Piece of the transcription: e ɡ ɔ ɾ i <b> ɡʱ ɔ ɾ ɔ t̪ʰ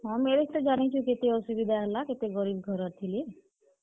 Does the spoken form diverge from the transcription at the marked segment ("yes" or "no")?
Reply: no